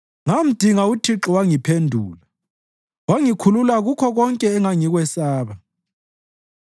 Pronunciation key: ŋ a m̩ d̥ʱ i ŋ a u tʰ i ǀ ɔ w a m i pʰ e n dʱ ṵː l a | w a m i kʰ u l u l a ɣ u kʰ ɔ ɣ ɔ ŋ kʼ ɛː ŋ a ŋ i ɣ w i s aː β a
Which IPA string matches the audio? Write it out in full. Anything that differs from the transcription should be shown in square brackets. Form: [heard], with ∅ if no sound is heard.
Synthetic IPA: ŋ a m̩ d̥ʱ i ŋ a u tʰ i [ǁ] ɔ w a [ŋ] i pʰ e n dʱ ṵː l a | w a [ŋ] i kʰ u l u l a ɣ u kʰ ɔ ɣ ɔ ŋ kʼ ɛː ŋ a ŋ i ɣ w [ɛ] s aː β a